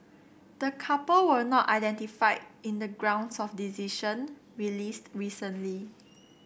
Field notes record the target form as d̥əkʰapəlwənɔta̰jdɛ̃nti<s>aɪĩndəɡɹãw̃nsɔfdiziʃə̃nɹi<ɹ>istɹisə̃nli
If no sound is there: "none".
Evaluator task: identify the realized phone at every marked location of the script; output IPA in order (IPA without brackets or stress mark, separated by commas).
f, l